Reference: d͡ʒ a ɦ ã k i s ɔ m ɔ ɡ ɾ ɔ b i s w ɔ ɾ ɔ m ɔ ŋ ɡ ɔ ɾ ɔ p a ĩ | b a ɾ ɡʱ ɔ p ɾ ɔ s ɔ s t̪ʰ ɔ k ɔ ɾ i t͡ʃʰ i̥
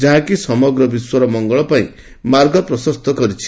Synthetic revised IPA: d͡ʒ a ɦ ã k i s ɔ m ɔ ɡ ɾ ɔ b i s w ɔ ɾ ɔ m ɔ ŋ ɡ ɔ ɭ ɔ p a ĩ | m a ɾ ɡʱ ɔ p ɾ ɔ s ɔ s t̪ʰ ɔ k ɔ ɾ i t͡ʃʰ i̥